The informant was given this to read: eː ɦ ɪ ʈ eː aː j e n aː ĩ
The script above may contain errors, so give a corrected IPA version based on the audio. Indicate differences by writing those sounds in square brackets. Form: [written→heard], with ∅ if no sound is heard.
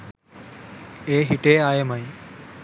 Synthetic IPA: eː ɦ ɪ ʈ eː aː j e [n→m] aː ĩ